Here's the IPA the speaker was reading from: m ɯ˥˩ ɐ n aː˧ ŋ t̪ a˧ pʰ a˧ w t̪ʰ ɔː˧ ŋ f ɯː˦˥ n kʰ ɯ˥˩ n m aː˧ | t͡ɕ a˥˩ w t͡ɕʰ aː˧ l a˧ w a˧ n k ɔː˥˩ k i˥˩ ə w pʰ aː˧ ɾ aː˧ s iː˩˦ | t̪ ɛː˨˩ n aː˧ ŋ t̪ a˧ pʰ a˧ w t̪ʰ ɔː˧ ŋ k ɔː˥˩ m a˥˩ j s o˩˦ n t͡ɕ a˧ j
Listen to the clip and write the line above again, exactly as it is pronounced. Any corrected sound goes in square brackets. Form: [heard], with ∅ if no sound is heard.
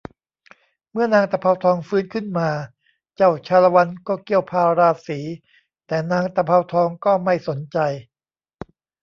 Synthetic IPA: m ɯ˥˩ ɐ n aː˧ ŋ t̪ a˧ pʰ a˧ w t̪ʰ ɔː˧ ŋ f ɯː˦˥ n kʰ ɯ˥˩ n m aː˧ | t͡ɕ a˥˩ w t͡ɕʰ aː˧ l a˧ w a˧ n k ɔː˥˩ k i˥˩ ə w pʰ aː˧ ɾ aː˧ s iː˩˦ | t̪ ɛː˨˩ n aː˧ ŋ t̪ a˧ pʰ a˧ w t̪ʰ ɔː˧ ŋ k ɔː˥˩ m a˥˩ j s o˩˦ n t͡ɕ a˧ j